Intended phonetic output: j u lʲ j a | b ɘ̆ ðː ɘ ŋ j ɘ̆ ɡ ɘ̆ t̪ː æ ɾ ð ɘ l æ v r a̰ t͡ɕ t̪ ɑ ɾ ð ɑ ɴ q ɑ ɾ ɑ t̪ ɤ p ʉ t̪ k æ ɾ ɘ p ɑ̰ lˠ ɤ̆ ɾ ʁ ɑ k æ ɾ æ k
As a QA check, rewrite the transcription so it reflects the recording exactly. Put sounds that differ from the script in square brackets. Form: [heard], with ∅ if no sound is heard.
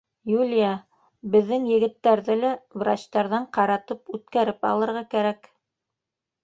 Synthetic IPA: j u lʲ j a | b ɘ̆ ðː ɘ ŋ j ɘ̆ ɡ ɘ̆ t̪ː æ ɾ ð ɘ l æ v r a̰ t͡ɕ t̪ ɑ ɾ ð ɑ ɴ q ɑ ɾ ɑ t̪ ɤ p ʉ t̪ k æ ɾ ɘ p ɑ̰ lˠ ɤ̆ ɾ ʁ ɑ k æ ɾ æ k